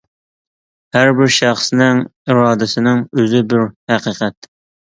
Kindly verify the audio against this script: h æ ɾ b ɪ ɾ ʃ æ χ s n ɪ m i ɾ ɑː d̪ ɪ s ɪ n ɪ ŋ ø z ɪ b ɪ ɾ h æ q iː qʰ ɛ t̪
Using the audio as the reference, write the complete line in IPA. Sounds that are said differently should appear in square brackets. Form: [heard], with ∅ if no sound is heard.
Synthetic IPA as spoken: h æ ɾ b ɪ ɾ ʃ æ χ s n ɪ [ŋ] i ɾ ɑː d̪ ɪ s ɪ n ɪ ŋ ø z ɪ b ɪ ɾ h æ q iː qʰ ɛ t̪